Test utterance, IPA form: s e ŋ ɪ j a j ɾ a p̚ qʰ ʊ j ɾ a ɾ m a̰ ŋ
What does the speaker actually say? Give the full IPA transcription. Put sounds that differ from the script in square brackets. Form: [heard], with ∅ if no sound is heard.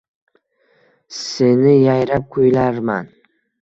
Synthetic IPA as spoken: s e [n] ɪ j a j ɾ a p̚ [kʰ] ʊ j [l] a ɾ m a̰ [n]